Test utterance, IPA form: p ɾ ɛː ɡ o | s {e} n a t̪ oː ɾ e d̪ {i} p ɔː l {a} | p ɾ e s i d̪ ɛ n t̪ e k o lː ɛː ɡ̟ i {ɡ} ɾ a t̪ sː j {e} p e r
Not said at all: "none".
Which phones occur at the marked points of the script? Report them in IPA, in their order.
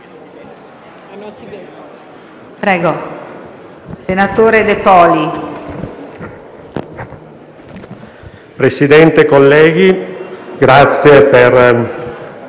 e, e, i, ɡ, e

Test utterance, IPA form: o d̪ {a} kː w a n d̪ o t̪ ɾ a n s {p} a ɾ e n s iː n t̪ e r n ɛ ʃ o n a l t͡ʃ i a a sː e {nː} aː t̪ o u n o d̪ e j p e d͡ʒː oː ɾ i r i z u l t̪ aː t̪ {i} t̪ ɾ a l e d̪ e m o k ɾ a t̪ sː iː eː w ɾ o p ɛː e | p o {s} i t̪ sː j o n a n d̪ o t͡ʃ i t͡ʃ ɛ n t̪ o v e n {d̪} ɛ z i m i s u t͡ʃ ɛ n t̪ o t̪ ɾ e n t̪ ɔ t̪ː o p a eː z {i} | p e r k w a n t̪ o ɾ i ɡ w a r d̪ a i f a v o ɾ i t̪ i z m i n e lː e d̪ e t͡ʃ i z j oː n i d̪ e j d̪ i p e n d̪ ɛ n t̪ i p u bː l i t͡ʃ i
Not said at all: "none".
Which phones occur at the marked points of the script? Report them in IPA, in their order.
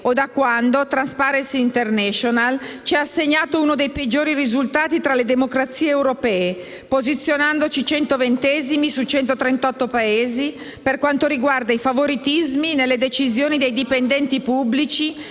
a, p, ɲː, i, z, t̪, i

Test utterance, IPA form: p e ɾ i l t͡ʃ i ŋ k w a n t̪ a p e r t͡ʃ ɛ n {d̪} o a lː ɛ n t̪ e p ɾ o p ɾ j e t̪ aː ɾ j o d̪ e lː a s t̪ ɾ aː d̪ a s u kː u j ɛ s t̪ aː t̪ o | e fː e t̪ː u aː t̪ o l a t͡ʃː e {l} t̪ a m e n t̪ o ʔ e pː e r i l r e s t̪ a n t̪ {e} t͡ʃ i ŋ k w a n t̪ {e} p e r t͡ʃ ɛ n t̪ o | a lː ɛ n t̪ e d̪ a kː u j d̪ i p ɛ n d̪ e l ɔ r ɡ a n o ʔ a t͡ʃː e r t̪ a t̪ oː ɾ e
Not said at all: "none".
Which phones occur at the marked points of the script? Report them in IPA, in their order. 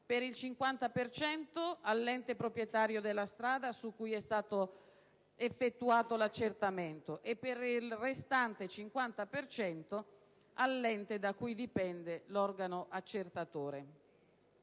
t̪, r, e, a

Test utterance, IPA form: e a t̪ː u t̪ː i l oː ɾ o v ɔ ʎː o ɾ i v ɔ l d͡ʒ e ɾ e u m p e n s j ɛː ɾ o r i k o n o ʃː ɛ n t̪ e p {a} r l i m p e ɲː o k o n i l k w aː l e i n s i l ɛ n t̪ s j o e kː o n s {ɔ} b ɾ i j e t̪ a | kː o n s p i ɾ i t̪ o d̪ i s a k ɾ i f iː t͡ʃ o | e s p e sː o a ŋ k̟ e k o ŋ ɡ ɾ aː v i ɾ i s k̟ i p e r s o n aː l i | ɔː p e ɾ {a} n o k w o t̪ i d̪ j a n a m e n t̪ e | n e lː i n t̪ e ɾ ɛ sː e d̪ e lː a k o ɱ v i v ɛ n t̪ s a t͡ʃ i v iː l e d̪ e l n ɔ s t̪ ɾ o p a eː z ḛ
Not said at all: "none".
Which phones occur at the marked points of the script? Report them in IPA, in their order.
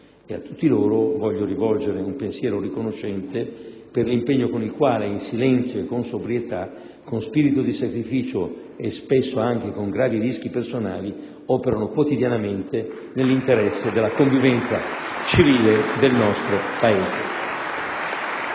e, o, a

